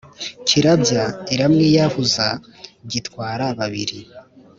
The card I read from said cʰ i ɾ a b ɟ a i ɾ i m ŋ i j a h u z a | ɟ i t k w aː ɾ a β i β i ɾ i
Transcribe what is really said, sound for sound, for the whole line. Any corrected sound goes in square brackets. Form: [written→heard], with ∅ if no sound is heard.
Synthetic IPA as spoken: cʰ i ɾ a b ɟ a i ɾ [i→a] m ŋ i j a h u z a | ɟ i t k w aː ɾ a β [i→a] β i ɾ i